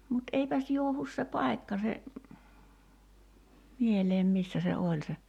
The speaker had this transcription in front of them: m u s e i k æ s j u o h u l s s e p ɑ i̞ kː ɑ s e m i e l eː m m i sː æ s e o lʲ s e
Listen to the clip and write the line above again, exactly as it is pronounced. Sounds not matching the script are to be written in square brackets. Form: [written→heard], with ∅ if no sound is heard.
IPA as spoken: m u [s→t] e i [k→p] æ s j u o h u [l→∅] s s e p ɑ i̞ kː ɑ s e m i e l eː m m i sː æ s e o lʲ s e